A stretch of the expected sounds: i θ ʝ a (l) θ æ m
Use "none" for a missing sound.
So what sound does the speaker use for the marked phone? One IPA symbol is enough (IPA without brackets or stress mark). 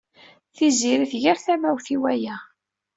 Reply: ɾ